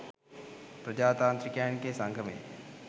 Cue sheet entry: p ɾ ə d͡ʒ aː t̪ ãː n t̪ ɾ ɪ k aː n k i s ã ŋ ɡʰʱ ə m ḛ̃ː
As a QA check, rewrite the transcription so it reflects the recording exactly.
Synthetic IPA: p ɾ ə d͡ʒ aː t̪ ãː n t̪ ɾ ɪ k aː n k e s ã ŋ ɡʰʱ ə m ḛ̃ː